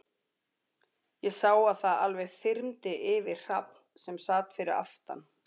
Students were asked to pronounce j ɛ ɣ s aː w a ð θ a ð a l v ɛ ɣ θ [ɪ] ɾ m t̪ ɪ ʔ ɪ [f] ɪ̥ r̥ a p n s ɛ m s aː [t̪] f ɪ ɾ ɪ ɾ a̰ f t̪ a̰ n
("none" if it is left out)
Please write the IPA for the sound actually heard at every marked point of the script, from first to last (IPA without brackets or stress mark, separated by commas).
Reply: ɪ, v, t̪